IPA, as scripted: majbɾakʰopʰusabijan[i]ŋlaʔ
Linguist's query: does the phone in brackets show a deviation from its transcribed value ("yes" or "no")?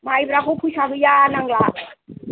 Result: yes